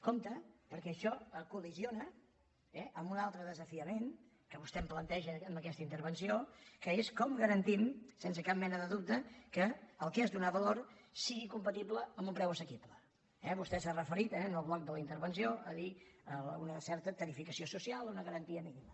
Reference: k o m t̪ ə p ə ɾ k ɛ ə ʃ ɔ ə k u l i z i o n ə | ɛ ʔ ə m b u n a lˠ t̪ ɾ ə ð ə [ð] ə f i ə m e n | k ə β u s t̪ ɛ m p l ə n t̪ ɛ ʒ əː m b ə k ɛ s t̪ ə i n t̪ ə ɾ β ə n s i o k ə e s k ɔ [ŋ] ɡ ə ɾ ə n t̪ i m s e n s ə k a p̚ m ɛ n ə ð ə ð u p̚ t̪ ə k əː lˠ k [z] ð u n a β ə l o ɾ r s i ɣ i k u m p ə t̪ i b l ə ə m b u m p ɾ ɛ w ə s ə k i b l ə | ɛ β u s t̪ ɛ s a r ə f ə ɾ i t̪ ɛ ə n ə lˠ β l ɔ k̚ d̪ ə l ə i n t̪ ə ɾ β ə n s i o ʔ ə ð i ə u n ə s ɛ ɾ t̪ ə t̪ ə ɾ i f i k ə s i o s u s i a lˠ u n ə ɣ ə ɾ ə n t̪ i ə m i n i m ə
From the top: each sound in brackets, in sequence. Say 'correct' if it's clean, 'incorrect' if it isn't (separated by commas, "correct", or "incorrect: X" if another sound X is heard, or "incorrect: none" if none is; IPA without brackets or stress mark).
incorrect: z, incorrect: m, correct